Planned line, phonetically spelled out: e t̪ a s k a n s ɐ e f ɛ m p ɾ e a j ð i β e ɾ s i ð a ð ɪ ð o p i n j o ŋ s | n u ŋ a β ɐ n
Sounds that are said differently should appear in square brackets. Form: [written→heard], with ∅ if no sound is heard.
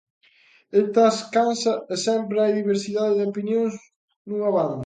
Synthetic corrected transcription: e t̪ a s k a n s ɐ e [f→s] ɛ m p ɾ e a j ð i β e ɾ s i ð a ð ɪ ð o p i n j o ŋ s | n u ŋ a β [ɐ→a] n